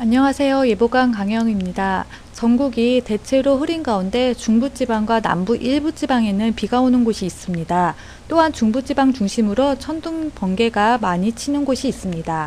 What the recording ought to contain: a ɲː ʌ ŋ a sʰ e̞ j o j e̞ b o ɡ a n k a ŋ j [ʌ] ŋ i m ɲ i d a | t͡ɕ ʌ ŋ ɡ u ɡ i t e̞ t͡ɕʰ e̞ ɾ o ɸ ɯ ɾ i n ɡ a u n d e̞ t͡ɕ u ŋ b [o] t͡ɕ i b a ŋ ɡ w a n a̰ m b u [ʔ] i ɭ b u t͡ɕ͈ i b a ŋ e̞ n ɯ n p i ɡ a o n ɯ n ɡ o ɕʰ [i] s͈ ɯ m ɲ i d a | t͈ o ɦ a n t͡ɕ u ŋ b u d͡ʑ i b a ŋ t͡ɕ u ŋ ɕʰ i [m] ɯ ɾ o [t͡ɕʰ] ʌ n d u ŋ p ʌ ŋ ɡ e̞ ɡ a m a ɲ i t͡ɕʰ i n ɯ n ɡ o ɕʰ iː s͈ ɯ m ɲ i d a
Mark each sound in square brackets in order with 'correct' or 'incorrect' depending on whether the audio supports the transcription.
correct, incorrect, correct, incorrect, correct, correct

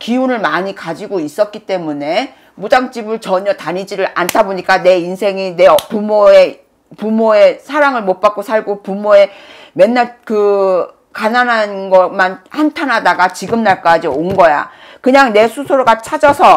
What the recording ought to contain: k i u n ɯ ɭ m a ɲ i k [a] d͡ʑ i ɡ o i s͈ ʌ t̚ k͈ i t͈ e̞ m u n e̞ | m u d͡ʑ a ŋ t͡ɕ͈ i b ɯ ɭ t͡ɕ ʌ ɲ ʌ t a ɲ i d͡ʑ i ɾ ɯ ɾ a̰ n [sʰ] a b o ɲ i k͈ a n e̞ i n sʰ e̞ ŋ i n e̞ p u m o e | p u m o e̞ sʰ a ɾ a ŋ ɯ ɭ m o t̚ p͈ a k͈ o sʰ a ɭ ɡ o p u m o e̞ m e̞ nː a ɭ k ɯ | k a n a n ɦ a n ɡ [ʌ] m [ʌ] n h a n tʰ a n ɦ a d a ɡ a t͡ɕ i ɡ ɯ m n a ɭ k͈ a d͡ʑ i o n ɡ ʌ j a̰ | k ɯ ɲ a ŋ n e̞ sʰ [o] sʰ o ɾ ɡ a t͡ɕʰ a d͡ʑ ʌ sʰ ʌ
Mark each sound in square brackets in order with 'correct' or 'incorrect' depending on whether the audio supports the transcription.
correct, incorrect, correct, incorrect, incorrect

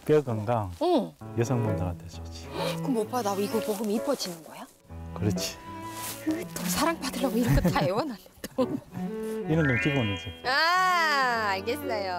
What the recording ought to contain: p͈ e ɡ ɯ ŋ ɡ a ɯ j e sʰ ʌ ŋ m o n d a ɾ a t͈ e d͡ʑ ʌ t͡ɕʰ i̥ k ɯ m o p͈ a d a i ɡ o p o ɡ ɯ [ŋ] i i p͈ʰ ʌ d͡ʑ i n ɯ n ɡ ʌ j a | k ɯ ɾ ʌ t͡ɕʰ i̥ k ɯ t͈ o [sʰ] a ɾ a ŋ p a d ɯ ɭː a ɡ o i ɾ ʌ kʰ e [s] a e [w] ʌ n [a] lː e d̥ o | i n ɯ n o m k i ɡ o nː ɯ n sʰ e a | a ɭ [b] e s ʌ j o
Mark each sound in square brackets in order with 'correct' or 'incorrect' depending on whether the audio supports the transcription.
incorrect, correct, incorrect, correct, correct, incorrect

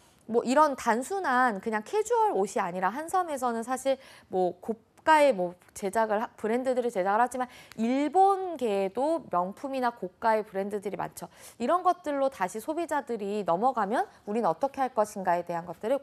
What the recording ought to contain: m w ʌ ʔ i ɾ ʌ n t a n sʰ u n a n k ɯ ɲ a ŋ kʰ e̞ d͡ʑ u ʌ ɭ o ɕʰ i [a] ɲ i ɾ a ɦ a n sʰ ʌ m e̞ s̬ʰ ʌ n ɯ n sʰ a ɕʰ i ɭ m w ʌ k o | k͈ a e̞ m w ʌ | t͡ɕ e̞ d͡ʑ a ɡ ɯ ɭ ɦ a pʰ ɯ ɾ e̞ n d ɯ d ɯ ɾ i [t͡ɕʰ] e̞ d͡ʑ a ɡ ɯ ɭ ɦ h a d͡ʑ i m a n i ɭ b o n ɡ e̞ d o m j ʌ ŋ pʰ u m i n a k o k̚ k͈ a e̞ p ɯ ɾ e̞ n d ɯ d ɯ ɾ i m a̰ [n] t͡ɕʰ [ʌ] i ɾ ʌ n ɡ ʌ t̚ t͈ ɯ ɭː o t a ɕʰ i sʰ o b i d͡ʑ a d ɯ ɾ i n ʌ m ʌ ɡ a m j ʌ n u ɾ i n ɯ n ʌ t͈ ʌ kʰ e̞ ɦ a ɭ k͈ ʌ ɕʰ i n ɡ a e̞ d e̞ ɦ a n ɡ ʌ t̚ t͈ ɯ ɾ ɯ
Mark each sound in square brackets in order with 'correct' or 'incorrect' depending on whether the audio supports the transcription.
correct, incorrect, correct, correct

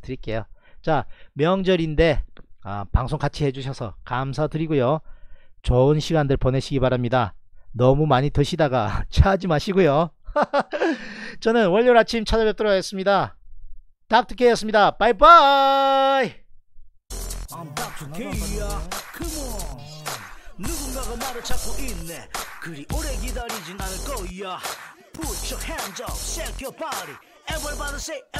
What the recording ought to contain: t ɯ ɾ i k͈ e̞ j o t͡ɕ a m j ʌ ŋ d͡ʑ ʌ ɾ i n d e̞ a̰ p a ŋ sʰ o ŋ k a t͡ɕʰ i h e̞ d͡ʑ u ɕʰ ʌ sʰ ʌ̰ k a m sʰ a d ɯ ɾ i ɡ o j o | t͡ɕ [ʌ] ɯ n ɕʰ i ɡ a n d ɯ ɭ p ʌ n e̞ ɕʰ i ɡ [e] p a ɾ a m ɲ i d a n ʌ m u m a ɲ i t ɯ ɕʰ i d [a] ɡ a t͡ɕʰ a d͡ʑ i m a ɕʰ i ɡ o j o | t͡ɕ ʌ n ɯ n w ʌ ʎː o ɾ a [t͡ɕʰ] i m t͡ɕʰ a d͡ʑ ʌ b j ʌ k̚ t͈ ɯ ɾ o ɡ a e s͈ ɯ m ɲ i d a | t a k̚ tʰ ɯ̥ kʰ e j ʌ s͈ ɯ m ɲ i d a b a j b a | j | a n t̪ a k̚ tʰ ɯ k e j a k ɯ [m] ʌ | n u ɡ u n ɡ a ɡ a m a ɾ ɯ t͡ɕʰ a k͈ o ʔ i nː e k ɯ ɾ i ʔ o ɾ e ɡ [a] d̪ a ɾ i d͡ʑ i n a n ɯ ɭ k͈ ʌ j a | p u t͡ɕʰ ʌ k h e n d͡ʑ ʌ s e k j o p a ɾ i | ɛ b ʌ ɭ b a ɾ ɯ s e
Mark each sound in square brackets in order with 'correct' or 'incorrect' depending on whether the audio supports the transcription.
correct, incorrect, correct, correct, correct, incorrect

